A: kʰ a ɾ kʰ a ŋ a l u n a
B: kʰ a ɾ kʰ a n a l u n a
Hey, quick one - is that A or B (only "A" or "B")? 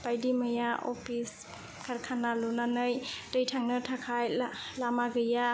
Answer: B